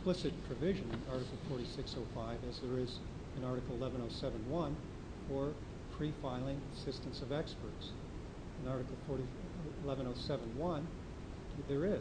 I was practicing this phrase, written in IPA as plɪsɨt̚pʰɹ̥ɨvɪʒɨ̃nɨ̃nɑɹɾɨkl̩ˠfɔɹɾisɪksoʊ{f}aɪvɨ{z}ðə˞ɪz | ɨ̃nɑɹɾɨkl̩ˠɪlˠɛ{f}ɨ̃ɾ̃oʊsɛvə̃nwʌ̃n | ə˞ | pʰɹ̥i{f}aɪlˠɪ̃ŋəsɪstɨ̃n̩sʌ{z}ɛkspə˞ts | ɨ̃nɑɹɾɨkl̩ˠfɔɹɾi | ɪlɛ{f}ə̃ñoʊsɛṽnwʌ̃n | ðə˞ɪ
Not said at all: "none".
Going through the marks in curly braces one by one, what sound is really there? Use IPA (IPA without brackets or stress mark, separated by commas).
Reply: f, z, v, f, v, v